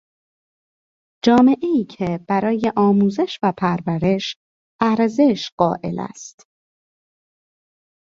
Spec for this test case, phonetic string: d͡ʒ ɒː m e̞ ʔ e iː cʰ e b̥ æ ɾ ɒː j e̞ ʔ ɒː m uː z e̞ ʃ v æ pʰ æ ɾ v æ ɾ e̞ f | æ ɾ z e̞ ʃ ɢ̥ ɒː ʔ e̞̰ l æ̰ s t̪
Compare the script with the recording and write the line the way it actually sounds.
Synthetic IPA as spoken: d͡ʒ ɒː m e̞ ʔ e iː cʰ e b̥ æ ɾ ɒː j e̞ ʔ ɒː m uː z e̞ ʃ v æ pʰ æ ɾ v æ ɾ e̞ ʃ | æ ɾ z e̞ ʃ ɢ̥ ɒː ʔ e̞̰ l æ̰ s t̪